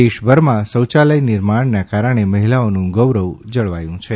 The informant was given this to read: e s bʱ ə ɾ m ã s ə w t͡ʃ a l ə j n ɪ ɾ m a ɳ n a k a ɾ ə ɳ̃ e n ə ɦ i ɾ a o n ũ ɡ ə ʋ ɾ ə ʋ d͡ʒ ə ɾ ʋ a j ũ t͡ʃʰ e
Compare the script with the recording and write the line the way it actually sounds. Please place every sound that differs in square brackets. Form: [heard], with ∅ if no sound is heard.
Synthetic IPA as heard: e [ʃ] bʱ ə ɾ m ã s ə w t͡ʃ a l ə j n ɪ ɾ m a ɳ n a k a ɾ ə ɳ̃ e [m] ə ɦ i [l] a o n ũ ɡ ə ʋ ɾ ə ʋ d͡ʒ ə [ɭ] ʋ a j ũ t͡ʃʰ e